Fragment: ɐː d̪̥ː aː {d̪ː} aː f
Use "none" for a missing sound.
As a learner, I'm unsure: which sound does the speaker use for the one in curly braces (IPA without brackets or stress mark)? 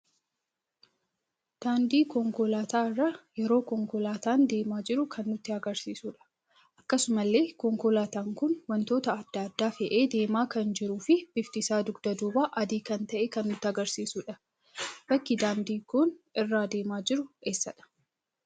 d̪ː